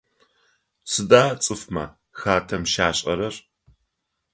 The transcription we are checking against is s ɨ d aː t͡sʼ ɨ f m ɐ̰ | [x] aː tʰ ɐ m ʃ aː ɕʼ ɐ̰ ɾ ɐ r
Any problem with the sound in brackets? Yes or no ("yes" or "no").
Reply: no